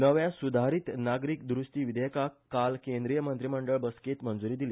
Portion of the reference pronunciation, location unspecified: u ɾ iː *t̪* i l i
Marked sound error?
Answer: yes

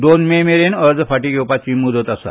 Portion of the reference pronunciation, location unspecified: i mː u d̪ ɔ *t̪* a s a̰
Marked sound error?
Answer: no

